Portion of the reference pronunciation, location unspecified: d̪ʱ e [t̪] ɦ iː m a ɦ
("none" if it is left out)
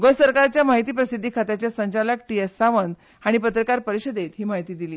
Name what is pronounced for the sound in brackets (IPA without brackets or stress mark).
t̪